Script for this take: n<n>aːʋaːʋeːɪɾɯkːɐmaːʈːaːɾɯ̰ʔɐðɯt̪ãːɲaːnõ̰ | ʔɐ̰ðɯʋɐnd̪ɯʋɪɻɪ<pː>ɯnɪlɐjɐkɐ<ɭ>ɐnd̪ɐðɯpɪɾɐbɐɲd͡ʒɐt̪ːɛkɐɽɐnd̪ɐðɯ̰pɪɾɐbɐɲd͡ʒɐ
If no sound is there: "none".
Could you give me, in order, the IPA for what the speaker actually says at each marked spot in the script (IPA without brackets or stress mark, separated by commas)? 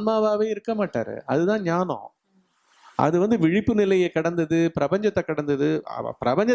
m, pː, ɽ